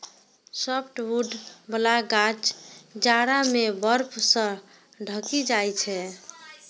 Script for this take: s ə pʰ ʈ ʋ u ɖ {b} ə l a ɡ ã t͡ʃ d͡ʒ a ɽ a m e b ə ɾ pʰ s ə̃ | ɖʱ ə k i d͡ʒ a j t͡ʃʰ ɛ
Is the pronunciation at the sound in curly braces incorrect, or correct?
correct